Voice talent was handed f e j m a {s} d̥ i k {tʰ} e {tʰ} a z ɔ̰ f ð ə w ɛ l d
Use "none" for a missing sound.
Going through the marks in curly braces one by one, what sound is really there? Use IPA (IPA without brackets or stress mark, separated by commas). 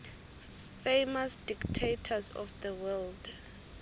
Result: s, tʰ, tʰ